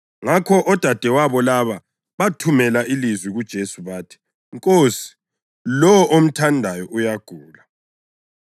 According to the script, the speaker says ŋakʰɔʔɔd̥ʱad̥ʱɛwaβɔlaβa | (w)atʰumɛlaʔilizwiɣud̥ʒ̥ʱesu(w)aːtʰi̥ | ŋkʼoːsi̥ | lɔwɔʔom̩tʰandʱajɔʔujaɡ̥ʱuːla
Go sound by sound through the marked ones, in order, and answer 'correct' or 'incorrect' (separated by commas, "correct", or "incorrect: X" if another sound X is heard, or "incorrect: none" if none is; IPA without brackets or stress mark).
incorrect: β, incorrect: β